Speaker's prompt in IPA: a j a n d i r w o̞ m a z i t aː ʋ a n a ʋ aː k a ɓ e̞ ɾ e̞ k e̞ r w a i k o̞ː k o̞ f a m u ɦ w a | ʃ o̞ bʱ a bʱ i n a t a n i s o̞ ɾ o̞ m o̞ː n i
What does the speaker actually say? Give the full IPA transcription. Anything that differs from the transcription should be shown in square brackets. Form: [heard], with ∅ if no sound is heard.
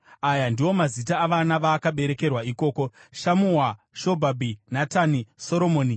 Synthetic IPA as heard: a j a n d i [∅] w o̞ m a z i t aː ʋ a n a ʋ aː k a ɓ e̞ ɾ e̞ k e̞ r w a i k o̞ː k o̞ [ʃ] a m u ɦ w a | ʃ o̞ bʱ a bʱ i n a t a n i s o̞ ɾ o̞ m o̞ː n i